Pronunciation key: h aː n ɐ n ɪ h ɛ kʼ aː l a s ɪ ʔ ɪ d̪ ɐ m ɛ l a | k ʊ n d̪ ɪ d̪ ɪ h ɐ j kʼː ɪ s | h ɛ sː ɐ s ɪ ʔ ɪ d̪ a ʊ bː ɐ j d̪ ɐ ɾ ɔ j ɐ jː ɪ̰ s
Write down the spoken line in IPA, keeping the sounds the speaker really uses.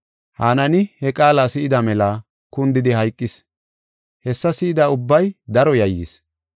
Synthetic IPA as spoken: h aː n ɐ n ɪ h ɛ kʼ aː l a s ɪ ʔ ɪ d̪ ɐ m ɛ l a | k ʊ n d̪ ɪ d̪ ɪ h ɐ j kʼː ɪ s | h ɛ sː ɐ s ɪ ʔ ɪ d̪ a ʊ bː ɐ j d̪ ɐ ɾ ɔ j ɐ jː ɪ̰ s